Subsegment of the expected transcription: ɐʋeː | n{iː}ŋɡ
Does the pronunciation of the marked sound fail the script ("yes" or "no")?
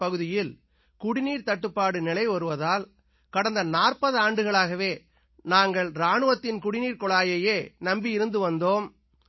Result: yes